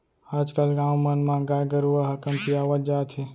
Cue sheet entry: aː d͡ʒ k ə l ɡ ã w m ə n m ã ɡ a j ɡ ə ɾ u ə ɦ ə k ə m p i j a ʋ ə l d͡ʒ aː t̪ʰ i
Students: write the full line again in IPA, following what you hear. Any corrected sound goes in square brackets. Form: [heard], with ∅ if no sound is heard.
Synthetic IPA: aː d͡ʒ k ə l ɡ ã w m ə n m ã ɡ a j ɡ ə ɾ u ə ɦ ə k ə m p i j a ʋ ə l d͡ʒ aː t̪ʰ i